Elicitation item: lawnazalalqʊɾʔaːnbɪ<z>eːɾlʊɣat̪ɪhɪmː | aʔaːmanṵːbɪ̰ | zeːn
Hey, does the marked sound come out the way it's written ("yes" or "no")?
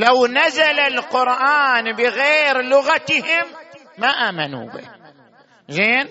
no